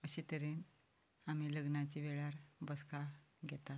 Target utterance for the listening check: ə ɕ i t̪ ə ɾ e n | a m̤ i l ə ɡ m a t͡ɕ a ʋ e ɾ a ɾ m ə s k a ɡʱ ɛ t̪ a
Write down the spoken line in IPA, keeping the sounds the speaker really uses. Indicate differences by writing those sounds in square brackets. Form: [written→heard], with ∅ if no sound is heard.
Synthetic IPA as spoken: ə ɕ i t̪ ə ɾ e n | a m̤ i l ə ɡ [m→n] a t͡ɕ [a→i] ʋ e [ɾ→ɭ] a ɾ [m→b] ə s k a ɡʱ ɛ t̪ a

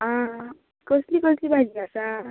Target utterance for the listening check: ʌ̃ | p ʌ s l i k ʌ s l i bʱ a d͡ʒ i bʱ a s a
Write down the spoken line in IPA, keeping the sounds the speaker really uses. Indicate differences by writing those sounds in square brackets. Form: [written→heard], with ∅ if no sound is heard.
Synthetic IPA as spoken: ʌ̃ | [p→k] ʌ s l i k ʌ s l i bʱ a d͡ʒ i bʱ a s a

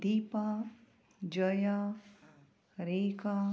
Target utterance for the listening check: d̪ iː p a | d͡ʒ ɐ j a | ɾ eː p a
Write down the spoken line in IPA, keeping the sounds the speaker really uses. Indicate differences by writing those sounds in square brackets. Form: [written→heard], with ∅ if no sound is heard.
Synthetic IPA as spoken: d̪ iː p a | d͡ʒ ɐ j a | ɾ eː [p→k] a

